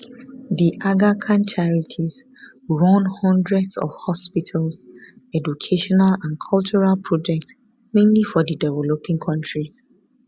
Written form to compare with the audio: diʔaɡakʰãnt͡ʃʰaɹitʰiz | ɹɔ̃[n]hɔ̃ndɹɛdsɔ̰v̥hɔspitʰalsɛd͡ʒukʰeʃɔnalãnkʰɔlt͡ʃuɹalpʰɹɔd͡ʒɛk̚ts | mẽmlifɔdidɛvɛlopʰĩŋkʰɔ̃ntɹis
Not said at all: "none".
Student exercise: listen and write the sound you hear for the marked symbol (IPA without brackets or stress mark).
n